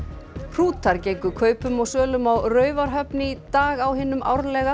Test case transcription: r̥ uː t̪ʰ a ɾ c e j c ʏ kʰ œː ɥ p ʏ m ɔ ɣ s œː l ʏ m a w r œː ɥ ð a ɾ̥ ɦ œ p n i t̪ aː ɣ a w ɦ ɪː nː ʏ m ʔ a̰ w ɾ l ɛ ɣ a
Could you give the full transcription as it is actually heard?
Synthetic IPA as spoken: r̥ uː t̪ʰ a ɾ c e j k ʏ kʰ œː ɥ p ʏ m ɔ ɣ s œː l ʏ m a w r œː ɥ v a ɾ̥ ɦ œ p n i t̪ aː ɣ a w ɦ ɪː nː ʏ m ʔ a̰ w ɾ l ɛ ɣ a